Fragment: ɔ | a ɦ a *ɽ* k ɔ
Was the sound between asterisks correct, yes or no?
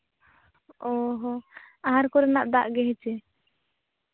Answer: no